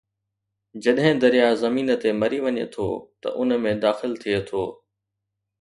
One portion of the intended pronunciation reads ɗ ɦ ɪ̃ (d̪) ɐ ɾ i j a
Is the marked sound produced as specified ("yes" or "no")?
yes